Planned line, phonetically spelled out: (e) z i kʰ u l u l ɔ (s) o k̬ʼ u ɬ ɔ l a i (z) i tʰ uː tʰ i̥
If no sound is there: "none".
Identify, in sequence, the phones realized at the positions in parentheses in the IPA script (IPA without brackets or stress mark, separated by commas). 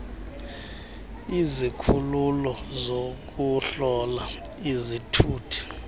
i, z, z